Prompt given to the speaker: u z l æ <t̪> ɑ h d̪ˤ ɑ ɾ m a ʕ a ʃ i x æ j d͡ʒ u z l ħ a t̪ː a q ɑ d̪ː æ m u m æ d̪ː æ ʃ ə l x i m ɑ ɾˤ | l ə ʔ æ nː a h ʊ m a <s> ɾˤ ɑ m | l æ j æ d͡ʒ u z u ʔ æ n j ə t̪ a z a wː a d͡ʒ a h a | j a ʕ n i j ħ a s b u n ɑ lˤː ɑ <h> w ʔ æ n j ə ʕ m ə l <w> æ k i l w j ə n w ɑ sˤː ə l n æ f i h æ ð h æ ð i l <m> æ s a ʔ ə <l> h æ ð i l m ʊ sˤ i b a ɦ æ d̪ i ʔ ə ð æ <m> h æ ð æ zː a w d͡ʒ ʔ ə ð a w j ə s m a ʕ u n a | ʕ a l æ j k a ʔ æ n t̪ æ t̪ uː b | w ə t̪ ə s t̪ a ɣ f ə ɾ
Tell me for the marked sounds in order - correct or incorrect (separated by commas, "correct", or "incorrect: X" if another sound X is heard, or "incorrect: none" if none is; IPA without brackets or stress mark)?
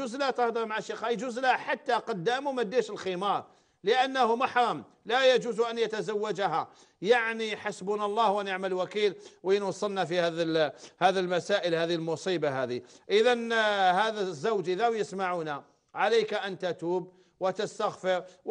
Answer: correct, incorrect: ħ, correct, correct, correct, correct, incorrect: n